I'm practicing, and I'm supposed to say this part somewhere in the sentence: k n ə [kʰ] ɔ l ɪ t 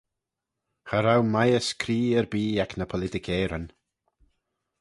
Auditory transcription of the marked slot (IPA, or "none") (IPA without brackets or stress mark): pʰ